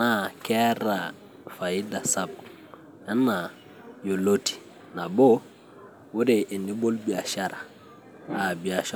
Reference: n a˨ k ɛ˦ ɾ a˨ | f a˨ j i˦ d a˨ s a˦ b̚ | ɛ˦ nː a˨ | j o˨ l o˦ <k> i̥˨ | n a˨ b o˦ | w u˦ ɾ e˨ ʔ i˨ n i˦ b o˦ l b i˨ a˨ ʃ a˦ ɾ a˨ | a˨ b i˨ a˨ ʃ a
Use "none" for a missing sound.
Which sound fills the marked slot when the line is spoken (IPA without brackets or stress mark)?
t